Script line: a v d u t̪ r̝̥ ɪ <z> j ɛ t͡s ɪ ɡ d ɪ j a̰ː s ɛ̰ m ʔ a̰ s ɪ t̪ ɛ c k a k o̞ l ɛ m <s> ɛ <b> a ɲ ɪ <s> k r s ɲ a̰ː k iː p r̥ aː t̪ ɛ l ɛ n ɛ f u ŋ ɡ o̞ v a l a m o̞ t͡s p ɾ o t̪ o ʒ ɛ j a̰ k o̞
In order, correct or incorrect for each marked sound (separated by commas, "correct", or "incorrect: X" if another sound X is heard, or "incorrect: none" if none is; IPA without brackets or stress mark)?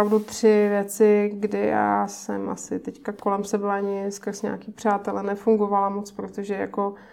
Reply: incorrect: v, correct, correct, correct